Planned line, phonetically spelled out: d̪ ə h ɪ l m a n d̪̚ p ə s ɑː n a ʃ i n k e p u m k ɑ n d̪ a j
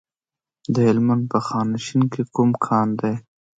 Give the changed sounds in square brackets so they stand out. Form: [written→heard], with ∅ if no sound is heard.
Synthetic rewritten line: d̪ ə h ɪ l m a n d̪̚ p ə [s→x] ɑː n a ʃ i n k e [p→k] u m [k→kʰ] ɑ n d̪ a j